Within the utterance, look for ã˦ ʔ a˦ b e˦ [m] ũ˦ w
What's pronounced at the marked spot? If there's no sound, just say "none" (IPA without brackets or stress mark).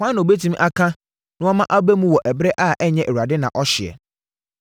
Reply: m